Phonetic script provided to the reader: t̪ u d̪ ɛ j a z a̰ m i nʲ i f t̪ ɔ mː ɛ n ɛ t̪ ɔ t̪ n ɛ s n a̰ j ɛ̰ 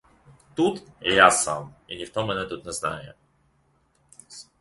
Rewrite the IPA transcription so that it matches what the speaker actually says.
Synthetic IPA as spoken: t̪ u t̪ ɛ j a s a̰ m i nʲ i f t̪ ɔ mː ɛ n ɛ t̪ u t̪ n ɛ z n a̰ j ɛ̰